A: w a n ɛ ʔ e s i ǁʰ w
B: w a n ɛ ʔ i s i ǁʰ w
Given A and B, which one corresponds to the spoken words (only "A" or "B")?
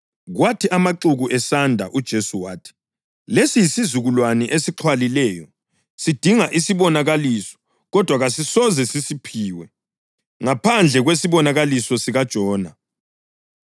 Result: A